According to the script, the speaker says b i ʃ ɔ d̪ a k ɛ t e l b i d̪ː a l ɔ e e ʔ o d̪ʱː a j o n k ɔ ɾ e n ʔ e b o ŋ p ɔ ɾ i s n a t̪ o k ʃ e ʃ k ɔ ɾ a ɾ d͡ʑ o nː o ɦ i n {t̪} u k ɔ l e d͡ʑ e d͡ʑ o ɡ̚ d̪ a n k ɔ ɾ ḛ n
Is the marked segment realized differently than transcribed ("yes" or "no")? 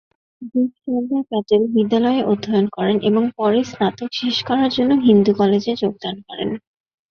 yes